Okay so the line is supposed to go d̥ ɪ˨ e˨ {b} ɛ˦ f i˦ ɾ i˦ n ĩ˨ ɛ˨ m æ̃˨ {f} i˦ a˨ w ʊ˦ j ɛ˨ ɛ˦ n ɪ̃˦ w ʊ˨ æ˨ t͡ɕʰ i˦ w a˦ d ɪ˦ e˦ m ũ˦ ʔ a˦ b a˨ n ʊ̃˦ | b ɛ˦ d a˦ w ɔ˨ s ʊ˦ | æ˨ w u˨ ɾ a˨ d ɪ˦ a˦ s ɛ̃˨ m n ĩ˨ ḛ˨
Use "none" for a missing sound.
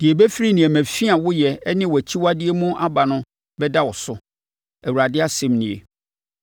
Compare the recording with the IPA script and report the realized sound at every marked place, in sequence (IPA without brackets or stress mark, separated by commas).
b, f